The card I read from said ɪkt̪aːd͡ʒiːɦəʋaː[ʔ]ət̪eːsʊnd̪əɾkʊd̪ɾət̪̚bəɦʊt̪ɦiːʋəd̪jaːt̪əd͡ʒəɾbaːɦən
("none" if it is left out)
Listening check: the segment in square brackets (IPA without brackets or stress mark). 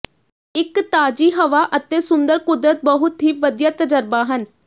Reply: ʔ